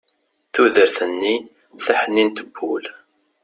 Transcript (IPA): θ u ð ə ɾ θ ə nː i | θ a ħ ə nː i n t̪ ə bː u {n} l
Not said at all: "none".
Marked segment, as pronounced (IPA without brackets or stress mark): none